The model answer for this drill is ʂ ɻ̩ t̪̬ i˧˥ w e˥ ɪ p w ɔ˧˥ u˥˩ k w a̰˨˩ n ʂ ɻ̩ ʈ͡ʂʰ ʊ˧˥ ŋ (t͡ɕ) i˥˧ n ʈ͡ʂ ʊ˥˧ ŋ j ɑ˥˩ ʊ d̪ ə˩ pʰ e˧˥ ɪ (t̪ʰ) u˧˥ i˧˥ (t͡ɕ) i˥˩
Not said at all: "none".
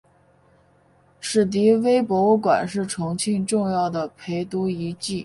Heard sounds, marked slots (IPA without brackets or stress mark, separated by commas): t͡ɕʰ, t̪, t͡ɕ